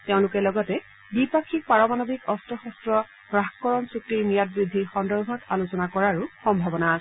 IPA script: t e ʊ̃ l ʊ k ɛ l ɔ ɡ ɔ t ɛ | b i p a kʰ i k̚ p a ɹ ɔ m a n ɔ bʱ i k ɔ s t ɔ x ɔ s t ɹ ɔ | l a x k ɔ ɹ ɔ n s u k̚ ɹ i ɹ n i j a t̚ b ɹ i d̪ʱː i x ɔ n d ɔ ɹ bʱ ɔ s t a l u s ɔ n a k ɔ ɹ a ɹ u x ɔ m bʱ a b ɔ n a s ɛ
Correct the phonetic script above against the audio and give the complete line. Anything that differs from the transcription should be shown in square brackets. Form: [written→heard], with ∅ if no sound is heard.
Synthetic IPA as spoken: t e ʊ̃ l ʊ k ɛ l ɔ ɡ ɔ t ɛ | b i p a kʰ i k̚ p a ɹ ɔ m a n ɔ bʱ i k ɔ s t ɔ x ɔ s t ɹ ɔ | [l→ɹ] a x k ɔ ɹ ɔ n s u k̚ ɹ i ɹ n i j a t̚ b ɹ i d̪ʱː i x ɔ n d ɔ ɹ bʱ ɔ [s→∅] t a l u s ɔ n a k ɔ ɹ a ɹ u x ɔ m bʱ a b ɔ n a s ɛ